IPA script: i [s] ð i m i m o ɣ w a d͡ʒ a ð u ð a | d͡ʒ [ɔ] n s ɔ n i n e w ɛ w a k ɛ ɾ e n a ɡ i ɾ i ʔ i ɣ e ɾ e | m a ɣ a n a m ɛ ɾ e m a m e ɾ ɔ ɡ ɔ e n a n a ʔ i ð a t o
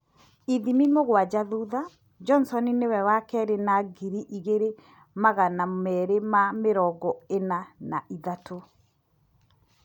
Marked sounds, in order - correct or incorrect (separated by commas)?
incorrect, correct